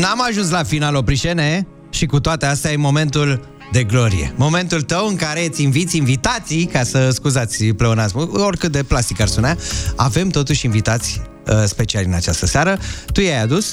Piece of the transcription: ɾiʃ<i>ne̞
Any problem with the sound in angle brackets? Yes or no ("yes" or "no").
yes